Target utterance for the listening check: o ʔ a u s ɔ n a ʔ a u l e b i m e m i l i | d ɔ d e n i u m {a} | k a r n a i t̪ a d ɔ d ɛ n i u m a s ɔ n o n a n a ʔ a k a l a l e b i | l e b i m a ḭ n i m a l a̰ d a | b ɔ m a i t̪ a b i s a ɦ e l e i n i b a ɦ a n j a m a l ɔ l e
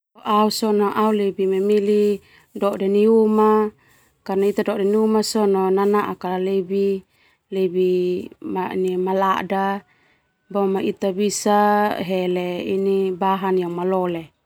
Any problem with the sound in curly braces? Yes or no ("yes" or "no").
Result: no